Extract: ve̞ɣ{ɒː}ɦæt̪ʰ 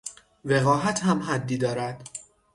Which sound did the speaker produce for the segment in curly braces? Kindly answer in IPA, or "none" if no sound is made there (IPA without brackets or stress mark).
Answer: ɒː